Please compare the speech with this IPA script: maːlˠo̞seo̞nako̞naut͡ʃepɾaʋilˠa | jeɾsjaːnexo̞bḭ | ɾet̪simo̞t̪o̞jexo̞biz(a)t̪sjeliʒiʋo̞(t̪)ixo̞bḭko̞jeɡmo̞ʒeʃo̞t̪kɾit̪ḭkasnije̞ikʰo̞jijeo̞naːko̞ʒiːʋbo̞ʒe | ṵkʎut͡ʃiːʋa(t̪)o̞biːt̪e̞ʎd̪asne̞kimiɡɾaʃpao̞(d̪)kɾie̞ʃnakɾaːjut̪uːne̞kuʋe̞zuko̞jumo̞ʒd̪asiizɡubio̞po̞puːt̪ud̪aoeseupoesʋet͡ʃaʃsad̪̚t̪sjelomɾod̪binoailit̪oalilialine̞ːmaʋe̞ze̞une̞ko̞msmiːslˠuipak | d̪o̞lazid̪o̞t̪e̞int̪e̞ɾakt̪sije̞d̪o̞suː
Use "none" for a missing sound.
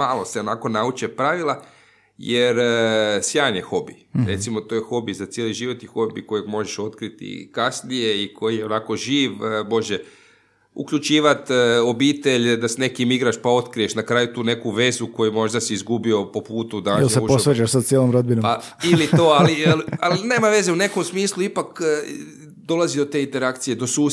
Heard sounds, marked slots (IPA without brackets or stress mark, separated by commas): a, t̪, t̪, t̪